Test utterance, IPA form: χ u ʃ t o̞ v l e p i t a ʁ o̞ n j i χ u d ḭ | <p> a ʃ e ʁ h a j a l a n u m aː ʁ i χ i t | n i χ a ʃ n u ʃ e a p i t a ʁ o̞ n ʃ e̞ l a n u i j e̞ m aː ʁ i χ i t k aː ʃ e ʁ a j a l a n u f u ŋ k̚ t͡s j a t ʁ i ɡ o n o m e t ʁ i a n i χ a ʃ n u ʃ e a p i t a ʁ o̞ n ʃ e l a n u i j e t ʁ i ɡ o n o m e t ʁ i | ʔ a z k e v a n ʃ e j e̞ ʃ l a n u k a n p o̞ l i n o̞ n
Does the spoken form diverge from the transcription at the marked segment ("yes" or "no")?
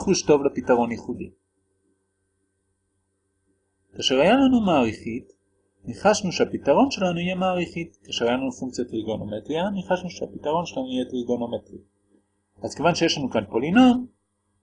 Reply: yes